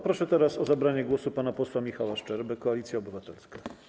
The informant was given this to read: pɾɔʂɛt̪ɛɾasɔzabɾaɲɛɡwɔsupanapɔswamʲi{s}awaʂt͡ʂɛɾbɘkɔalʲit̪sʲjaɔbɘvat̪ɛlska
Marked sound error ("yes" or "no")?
yes